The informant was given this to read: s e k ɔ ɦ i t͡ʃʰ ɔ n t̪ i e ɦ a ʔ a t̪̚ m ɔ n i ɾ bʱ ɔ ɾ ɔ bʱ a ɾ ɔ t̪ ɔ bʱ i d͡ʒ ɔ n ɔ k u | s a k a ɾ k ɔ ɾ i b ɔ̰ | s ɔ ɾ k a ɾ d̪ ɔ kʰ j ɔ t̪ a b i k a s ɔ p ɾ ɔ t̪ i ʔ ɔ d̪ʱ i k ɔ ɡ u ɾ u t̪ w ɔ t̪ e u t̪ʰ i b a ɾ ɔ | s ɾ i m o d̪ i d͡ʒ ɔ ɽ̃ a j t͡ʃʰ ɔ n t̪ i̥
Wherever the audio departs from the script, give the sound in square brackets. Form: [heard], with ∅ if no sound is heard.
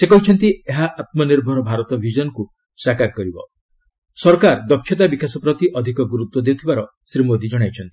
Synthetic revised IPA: s e k ɔ ɦ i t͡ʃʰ ɔ n t̪ i e ɦ a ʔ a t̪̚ m ɔ n i ɾ bʱ ɔ ɾ ɔ bʱ a ɾ ɔ t̪ ɔ bʱ i d͡ʒ ɔ n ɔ k u | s a k a ɾ k ɔ ɾ i b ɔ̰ | s ɔ ɾ k a ɾ d̪ ɔ kʰ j ɔ t̪ a b i k a s ɔ p ɾ ɔ t̪ i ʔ ɔ d̪ʱ i k ɔ ɡ u ɾ u t̪ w ɔ [d̪] e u t̪ʰ i b a ɾ ɔ | s ɾ i m o d̪ i d͡ʒ ɔ ɽ̃ a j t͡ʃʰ ɔ n t̪ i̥